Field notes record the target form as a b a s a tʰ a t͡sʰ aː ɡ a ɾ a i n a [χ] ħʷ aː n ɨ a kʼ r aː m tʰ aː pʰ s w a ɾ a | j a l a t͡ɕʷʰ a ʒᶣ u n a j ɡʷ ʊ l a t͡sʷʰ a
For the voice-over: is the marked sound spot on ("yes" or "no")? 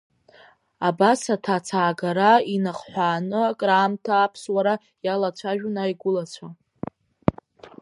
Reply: yes